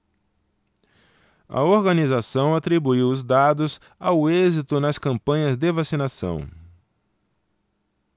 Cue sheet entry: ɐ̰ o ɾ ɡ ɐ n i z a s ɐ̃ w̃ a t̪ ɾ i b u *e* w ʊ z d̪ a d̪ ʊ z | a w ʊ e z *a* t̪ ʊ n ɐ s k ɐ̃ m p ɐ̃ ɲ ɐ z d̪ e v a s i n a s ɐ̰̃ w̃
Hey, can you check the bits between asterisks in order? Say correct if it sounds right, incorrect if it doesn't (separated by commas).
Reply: incorrect, incorrect